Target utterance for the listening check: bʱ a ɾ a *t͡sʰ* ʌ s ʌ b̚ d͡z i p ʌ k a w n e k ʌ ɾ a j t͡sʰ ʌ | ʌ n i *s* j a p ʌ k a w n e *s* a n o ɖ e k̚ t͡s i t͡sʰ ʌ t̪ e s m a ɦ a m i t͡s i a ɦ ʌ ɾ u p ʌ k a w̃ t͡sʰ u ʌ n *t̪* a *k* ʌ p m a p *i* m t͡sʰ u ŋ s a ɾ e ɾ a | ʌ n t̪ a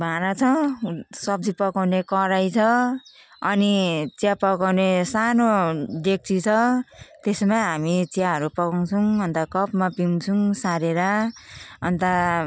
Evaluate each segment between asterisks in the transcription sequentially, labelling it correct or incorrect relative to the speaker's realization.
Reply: correct, incorrect: t͡s, correct, correct, correct, correct

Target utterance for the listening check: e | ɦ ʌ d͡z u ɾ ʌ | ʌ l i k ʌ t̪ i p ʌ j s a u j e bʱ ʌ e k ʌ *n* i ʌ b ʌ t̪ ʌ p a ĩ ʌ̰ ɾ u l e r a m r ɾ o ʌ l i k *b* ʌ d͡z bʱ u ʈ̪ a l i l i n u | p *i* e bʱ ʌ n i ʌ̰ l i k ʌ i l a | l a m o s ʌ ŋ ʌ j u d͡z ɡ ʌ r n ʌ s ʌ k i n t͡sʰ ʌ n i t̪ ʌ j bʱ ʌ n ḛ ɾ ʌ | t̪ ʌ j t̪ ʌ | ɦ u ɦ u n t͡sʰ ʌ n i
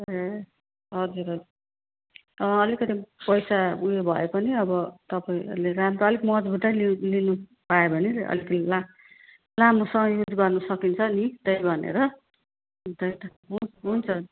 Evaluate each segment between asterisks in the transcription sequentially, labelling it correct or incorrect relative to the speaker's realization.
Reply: correct, incorrect: m, incorrect: a

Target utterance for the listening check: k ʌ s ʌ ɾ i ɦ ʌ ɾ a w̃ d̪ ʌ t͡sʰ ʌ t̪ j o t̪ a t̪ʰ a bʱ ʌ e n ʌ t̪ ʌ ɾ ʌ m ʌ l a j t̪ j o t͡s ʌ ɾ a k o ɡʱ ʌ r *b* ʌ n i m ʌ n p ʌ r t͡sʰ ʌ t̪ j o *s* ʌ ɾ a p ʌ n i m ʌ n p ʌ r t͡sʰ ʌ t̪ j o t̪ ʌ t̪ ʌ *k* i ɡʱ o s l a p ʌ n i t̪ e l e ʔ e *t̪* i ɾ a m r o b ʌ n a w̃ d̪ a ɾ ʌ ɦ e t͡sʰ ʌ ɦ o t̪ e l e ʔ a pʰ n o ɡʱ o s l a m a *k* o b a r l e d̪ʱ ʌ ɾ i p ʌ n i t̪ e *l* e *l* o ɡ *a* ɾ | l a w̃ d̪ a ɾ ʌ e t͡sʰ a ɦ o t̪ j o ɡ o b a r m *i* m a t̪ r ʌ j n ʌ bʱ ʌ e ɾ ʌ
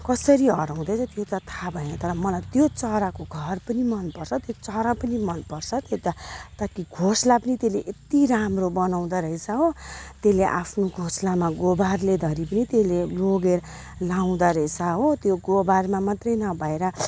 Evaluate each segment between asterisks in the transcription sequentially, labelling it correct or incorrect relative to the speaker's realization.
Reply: incorrect: p, incorrect: t͡s, correct, correct, incorrect: ɡ, correct, correct, incorrect: e, incorrect: a

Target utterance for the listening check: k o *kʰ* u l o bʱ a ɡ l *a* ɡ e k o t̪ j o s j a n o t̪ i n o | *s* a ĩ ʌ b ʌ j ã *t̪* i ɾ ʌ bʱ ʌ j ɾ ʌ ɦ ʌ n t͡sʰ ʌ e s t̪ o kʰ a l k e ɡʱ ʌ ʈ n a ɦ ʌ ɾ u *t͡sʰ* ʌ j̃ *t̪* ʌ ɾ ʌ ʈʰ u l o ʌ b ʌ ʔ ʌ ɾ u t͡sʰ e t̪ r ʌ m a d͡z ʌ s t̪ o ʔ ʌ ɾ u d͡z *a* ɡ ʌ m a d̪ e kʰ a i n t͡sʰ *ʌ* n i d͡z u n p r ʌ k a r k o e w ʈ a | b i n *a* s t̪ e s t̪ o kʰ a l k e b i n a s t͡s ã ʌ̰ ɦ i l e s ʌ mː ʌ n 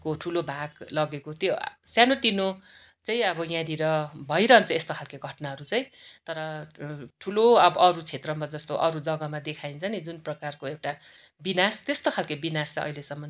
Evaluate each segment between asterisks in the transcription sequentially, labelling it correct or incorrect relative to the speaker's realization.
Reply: incorrect: ʈʰ, incorrect: ʌ, incorrect: t͡s, incorrect: d̪, incorrect: t͡s, correct, incorrect: ʌ, correct, correct

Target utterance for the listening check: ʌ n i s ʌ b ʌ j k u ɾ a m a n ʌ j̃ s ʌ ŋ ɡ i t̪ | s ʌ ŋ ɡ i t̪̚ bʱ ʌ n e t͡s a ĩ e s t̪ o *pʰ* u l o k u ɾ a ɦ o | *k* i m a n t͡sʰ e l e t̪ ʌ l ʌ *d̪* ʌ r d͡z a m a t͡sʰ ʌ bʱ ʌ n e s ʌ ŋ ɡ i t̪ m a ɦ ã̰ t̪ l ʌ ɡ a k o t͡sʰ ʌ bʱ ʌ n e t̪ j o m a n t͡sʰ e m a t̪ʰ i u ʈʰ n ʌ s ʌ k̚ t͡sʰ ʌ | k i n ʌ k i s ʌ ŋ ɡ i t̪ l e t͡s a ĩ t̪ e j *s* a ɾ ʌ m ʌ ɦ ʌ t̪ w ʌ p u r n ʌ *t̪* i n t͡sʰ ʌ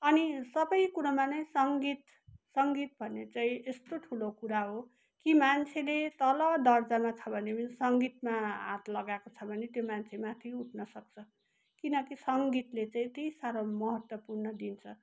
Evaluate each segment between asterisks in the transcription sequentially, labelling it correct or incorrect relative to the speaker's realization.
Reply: incorrect: ʈʰ, correct, correct, correct, incorrect: d̪

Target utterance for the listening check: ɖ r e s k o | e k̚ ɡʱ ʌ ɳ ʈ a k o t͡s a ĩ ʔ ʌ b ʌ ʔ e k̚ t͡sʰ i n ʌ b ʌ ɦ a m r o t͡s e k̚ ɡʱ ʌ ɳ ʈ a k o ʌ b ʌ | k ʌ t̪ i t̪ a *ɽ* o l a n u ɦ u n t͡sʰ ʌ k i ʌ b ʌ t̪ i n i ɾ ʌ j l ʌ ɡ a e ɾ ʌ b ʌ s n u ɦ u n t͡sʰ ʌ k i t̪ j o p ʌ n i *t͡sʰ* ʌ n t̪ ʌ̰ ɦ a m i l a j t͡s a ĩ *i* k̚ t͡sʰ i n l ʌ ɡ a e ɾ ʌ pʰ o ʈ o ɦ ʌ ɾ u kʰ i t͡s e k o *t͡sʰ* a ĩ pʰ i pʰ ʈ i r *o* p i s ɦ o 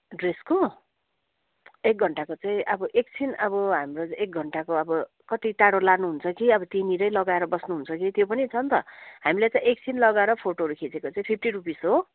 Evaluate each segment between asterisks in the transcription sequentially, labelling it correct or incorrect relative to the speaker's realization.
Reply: correct, correct, incorrect: e, incorrect: t͡s, incorrect: u

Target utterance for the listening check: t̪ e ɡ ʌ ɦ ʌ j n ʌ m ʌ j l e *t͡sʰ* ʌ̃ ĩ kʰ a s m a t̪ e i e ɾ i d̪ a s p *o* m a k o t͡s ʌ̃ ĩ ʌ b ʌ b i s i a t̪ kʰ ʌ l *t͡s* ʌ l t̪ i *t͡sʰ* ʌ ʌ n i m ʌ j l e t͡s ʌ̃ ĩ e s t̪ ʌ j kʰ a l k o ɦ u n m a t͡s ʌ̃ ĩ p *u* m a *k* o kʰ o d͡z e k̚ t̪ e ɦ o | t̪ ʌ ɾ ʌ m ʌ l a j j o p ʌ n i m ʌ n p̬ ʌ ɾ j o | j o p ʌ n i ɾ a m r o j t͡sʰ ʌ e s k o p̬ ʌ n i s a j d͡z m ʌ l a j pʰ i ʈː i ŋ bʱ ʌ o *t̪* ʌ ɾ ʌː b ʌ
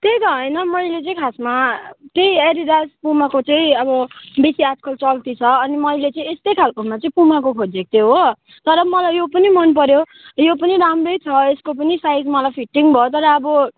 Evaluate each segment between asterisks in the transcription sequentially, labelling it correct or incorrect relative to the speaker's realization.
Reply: incorrect: t͡s, incorrect: u, correct, correct, correct, correct, correct

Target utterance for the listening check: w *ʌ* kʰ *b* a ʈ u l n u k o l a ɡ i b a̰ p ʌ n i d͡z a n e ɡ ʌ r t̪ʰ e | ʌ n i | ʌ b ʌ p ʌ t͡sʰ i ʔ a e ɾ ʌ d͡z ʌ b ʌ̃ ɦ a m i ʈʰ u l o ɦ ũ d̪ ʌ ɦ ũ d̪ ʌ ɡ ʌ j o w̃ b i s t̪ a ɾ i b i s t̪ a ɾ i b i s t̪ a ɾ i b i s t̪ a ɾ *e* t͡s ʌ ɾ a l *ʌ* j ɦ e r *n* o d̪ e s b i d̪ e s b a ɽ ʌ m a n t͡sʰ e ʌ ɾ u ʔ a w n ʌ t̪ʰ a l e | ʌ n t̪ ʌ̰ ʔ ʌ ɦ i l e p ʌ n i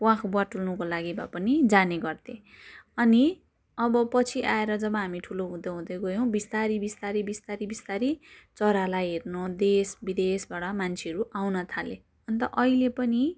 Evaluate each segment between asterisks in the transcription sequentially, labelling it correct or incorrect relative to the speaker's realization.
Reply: incorrect: a, correct, incorrect: i, incorrect: a, correct

